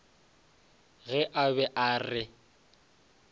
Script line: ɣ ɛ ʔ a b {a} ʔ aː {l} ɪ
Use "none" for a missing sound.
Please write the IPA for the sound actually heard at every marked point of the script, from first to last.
ɛ, r

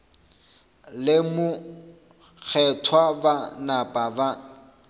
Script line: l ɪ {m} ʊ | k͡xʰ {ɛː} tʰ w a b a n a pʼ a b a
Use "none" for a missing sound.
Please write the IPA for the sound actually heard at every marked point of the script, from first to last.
m, ɛ

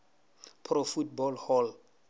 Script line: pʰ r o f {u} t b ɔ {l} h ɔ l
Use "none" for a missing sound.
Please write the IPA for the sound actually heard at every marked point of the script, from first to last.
u, l

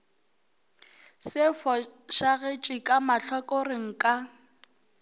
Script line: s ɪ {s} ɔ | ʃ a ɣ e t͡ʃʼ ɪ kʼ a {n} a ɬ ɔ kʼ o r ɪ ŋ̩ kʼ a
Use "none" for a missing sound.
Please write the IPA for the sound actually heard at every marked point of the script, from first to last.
f, m

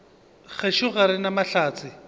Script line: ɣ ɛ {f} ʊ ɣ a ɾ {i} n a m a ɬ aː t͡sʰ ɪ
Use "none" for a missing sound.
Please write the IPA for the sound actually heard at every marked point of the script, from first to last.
ʃ, ɪ

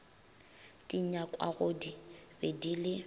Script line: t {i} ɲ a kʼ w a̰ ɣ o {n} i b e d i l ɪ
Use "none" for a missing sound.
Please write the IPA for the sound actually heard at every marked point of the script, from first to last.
i, d

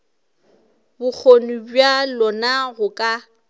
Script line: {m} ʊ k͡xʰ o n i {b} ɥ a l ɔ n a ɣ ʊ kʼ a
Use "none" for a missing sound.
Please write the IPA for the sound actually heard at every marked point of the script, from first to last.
b, b

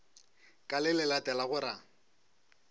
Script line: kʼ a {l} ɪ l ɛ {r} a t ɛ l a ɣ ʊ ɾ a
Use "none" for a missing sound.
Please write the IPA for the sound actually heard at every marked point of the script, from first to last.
l, l

